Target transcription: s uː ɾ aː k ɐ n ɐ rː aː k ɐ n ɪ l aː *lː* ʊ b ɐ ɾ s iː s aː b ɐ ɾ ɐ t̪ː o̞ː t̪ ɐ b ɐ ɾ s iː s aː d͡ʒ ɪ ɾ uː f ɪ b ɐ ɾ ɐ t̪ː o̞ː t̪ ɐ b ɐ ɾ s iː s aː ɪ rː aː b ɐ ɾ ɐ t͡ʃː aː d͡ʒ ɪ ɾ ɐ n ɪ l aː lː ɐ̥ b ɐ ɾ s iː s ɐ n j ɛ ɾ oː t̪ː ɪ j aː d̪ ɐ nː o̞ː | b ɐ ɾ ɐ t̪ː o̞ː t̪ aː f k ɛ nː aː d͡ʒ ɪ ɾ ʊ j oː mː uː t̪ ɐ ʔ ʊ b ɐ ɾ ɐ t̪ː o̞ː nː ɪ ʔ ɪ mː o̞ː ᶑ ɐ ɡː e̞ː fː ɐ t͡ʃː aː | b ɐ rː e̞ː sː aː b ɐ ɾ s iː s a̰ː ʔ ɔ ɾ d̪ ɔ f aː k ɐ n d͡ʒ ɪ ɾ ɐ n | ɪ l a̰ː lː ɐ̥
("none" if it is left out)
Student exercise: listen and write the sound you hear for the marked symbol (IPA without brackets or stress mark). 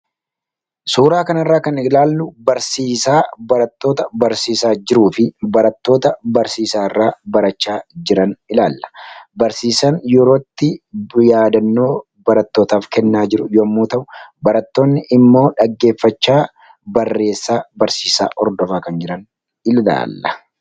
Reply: lː